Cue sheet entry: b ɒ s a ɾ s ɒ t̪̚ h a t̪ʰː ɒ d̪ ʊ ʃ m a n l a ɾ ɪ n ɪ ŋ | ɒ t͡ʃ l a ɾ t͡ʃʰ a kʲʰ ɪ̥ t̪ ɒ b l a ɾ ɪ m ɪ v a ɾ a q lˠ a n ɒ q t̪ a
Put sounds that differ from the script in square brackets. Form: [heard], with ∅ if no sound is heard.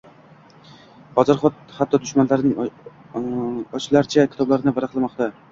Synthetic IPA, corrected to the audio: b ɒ [z] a ɾ [χ] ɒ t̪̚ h a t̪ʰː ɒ d̪ ʊ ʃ m a n l a ɾ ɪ n ɪ ŋ | ɒ t͡ʃ l a ɾ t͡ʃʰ a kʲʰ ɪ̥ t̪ ɒ b l a ɾ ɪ [n] ɪ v a ɾ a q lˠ a [m] ɒ q t̪ a

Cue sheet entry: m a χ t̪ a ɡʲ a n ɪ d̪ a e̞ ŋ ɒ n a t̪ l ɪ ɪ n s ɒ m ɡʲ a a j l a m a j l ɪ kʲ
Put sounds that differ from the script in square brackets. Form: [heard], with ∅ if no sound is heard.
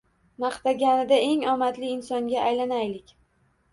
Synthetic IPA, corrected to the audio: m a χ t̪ a ɡʲ a n ɪ d̪ a e̞ ŋ ɒ [m] a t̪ l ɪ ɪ n s ɒ [ŋ] ɡʲ a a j l a [n] a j l ɪ kʲ

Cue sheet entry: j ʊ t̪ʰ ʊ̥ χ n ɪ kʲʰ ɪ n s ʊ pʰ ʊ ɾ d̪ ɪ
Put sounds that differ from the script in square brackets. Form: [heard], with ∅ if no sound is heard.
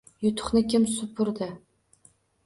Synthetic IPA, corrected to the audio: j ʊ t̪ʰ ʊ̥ χ n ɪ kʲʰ ɪ [m] s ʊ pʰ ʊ ɾ d̪ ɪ

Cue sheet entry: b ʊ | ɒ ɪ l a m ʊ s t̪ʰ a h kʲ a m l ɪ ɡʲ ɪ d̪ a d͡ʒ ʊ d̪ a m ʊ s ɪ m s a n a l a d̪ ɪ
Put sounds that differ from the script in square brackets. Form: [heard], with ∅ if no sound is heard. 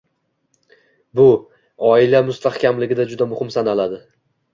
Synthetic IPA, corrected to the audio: b ʊ | ɒ ɪ l a m ʊ s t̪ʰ a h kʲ a m l ɪ ɡʲ ɪ d̪ a d͡ʒ ʊ d̪ a m ʊ [h] ɪ m s a n a l a d̪ ɪ

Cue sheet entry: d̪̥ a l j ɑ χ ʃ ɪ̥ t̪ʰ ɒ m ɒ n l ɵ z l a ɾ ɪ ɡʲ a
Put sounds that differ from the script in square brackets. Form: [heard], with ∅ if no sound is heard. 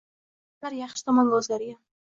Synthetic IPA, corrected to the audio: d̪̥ a [ɾ] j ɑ χ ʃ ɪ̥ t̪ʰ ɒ m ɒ n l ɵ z l a ɾ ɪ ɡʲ a

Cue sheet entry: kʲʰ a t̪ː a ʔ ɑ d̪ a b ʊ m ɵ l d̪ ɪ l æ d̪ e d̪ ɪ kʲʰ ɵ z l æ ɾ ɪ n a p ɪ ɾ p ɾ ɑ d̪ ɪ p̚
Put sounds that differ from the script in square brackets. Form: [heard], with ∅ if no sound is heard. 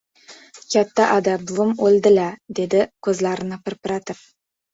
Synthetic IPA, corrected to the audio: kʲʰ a t̪ː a ʔ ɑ d̪ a b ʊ m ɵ l d̪ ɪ l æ d̪ e d̪ ɪ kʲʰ ɵ z l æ ɾ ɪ n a p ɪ ɾ p ɾ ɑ [t̪] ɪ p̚

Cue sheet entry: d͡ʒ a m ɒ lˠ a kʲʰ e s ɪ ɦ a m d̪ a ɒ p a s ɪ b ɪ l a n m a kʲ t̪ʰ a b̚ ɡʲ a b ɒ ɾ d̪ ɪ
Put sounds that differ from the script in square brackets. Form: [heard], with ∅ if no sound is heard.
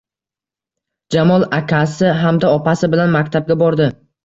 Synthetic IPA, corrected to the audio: d͡ʒ a m ɒ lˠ a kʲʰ [a] s ɪ ɦ a m d̪ a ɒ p a s ɪ b ɪ l a n m a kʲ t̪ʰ a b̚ ɡʲ a b ɒ ɾ d̪ ɪ

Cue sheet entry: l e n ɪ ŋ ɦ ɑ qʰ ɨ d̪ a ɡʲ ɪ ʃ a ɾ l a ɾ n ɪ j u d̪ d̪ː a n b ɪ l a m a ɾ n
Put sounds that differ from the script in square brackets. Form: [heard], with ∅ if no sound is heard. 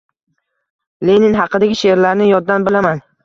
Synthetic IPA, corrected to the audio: l e n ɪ [n] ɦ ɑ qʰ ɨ d̪ a ɡʲ ɪ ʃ [e] ɾ l a ɾ n ɪ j [ɒ] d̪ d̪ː a n b ɪ l a m a [∅] n

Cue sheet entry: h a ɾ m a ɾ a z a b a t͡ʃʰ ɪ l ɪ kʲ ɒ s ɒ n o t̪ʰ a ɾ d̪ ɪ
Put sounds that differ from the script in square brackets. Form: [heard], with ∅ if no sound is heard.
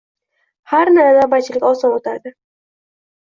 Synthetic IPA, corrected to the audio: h a ɾ [n] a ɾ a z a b a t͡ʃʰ ɪ l ɪ kʲ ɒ s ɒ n o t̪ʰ a ɾ d̪ ɪ

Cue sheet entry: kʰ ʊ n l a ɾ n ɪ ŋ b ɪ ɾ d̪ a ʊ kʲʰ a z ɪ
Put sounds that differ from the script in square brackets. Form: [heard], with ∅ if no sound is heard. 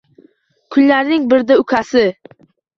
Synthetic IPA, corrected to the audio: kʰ ʊ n l a ɾ n ɪ ŋ b ɪ ɾ d̪ a ʊ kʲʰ a [s] ɪ

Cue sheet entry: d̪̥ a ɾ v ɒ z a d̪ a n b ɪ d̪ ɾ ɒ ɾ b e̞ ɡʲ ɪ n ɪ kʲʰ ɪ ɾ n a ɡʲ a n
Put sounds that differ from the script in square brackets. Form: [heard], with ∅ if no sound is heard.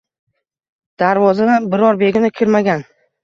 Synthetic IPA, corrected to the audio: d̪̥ a ɾ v ɒ z a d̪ a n b ɪ [∅] ɾ ɒ ɾ b e̞ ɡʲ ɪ n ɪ kʲʰ ɪ ɾ [m] a ɡʲ a n

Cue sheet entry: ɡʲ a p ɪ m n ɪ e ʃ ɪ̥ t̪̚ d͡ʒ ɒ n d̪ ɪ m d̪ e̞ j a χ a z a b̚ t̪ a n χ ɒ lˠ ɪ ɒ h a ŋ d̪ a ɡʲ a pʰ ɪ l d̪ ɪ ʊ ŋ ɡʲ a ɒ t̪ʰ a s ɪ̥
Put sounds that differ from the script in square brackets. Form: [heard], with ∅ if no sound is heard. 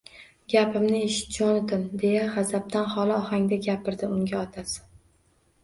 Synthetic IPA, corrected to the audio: ɡʲ a p ɪ m n ɪ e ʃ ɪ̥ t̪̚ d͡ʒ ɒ n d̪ ɪ m d̪ e̞ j a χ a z a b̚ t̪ a n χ ɒ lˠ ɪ ɒ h a ŋ d̪ a ɡʲ a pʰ ɪ [ɾ] d̪ ɪ ʊ ŋ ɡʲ a ɒ t̪ʰ a s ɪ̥

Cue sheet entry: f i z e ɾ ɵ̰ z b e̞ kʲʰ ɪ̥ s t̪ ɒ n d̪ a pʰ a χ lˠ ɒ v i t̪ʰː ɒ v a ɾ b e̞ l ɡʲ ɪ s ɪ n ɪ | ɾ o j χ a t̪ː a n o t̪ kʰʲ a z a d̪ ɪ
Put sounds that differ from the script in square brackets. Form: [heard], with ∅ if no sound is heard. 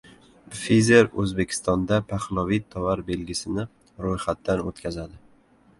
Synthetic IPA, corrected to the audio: f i z e ɾ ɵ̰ z b e̞ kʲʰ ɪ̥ s t̪ ɒ n d̪ a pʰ a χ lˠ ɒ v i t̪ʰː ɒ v a ɾ b e̞ l ɡʲ ɪ s ɪ n ɪ | ɾ o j χ a t̪ː a n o t̪ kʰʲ a z a d̪ ɪ

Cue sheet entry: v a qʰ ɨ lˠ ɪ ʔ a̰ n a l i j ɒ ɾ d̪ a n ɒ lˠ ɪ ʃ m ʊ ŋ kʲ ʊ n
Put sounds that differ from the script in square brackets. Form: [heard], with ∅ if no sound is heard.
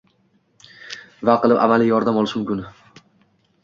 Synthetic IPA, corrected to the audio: v a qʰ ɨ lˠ ɪ [p] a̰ [m] a l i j ɒ ɾ d̪ a [m] ɒ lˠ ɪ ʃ m ʊ [m] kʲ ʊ n

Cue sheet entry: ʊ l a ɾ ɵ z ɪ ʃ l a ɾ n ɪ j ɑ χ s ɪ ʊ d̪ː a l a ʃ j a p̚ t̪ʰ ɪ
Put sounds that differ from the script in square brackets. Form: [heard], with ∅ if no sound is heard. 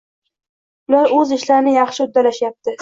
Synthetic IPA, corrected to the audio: ʊ l a ɾ ɵ z ɪ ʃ l a ɾ n ɪ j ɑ χ [ʃ] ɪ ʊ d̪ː a l a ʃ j a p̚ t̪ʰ ɪ

